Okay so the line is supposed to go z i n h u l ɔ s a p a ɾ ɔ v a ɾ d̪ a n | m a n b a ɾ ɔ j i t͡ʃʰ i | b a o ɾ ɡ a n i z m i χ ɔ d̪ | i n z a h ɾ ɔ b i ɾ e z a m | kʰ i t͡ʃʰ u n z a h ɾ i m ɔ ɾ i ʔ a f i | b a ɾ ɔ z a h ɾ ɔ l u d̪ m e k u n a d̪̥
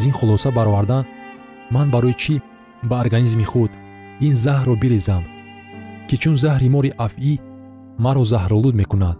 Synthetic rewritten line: z i n χ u l ɔ s a b a ɾ ɔ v a ɾ d̪ a n | m a n b a ɾ ɔ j i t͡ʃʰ i | b a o ɾ ɡ a n i z m i χ u d̪ | i n z a h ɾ ɔ b i ɾ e z a m | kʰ i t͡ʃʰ u n z a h ɾ i m ɔ ɾ i ʔ a f i | m a ɾ ɔ z a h ɾ ɔ l u d̪ m e k u n a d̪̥